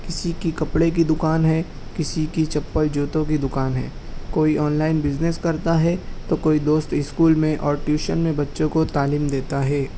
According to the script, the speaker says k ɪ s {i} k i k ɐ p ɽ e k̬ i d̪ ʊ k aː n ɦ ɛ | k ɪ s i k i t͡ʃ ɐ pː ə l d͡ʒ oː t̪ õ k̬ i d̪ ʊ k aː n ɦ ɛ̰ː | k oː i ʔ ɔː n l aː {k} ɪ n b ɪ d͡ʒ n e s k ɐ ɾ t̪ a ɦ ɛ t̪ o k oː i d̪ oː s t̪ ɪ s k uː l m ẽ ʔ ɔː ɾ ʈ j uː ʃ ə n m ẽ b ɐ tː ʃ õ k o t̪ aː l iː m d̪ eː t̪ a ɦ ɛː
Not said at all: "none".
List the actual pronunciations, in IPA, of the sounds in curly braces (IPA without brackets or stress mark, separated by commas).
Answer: i, none